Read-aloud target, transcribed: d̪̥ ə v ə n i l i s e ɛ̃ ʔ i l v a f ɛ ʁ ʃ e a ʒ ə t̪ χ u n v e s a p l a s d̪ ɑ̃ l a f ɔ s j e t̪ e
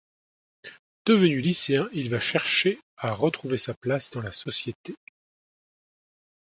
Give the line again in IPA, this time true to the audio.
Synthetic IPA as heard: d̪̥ ə v ə n y l i s e ɛ̃ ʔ i l v a ʃ ɛ ʁ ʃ e a ʁ ə t̪ χ u v e s a p l a s d̪ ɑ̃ l a s ɔ s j e t̪ e